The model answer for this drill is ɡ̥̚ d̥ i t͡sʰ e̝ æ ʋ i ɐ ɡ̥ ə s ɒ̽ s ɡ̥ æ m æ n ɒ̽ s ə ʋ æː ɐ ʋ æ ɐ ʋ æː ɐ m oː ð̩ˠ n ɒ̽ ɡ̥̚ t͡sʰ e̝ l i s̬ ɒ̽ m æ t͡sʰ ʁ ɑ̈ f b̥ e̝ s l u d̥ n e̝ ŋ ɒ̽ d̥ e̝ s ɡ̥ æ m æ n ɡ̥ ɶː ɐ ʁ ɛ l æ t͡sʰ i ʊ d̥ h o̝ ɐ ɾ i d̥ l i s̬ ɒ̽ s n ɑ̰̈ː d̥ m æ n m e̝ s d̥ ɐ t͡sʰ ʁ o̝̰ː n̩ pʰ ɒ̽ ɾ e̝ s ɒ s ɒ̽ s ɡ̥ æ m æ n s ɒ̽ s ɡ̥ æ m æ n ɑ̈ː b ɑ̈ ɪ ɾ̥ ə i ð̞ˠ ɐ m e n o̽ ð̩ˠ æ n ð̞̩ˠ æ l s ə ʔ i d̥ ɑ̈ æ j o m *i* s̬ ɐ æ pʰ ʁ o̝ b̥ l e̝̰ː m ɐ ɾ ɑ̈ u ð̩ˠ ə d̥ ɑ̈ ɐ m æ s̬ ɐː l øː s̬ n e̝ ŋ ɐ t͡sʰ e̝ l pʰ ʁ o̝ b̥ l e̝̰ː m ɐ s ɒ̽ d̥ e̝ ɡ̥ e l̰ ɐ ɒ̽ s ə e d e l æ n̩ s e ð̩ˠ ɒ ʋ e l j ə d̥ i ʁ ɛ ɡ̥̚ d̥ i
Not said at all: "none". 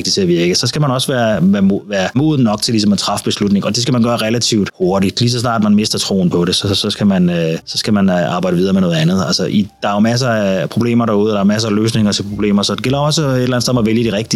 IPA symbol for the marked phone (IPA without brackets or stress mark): æ